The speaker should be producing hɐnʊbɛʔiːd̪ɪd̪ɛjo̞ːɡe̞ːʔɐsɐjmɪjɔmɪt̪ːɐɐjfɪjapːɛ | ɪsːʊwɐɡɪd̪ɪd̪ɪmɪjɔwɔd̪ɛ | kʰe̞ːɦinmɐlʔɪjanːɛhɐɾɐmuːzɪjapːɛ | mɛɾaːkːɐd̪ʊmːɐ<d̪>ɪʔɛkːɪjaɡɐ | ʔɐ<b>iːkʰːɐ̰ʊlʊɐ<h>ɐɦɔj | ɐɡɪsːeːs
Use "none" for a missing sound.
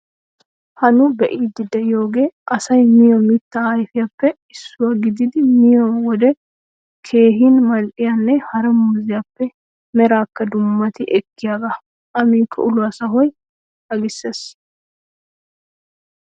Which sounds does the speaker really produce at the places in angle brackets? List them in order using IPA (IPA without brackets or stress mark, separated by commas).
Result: t̪, m, s